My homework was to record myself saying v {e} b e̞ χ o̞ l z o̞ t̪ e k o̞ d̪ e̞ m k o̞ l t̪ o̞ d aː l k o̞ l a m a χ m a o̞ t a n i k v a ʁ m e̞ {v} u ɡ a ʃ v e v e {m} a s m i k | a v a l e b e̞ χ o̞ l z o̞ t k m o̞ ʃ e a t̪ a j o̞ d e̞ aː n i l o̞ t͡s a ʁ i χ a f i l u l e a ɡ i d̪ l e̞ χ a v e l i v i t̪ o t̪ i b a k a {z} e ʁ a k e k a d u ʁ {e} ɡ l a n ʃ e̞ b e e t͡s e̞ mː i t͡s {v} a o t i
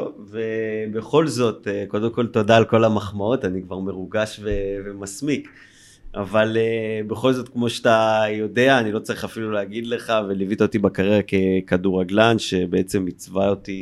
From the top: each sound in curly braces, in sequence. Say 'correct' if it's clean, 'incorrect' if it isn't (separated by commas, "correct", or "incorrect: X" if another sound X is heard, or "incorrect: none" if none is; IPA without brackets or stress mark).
correct, incorrect: ʁ, correct, incorrect: ʁ, incorrect: a, correct